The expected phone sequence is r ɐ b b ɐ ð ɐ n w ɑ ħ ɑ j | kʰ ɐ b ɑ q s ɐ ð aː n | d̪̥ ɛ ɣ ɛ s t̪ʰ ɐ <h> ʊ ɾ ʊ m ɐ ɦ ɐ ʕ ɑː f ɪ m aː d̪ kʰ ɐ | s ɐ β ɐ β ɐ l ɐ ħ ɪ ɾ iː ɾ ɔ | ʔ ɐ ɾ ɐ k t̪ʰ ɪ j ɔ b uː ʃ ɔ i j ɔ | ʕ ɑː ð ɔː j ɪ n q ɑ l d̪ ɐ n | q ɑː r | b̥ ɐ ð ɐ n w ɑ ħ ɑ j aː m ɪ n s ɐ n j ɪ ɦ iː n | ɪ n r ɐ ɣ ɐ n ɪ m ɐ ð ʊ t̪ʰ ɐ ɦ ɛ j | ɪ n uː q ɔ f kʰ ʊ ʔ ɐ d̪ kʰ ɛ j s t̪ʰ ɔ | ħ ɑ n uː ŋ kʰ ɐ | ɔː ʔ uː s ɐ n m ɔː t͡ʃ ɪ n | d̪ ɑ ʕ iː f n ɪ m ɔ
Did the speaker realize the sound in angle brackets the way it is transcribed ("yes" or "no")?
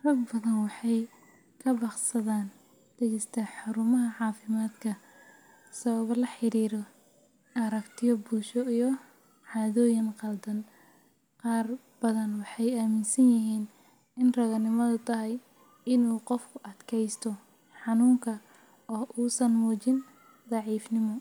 no